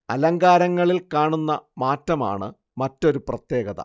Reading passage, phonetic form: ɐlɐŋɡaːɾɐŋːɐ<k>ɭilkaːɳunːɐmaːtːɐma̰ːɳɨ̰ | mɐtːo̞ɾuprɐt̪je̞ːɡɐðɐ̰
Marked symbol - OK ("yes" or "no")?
no